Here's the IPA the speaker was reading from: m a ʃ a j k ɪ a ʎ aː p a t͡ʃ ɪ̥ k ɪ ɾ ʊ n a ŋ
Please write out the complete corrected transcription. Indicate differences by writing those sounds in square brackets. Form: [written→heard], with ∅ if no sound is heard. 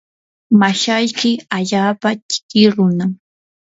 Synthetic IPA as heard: m a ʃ a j k ɪ a ʎ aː p a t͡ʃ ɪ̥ k ɪ ɾ ʊ n a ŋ